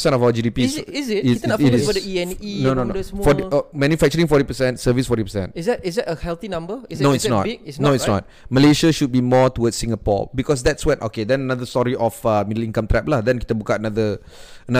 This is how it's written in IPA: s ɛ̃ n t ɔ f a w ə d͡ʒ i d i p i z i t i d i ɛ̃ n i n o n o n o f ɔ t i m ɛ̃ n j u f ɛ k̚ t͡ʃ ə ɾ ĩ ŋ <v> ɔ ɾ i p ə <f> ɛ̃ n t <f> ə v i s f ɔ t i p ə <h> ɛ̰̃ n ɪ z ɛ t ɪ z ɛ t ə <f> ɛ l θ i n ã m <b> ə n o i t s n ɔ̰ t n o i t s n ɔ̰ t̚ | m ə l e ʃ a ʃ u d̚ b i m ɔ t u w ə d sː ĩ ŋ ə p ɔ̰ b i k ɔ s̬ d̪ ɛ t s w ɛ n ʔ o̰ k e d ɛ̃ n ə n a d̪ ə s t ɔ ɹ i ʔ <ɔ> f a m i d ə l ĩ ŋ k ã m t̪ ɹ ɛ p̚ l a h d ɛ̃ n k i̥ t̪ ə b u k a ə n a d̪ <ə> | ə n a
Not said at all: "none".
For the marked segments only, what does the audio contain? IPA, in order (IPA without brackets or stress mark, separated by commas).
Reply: f, s, s, s, h, b, ɔ, ə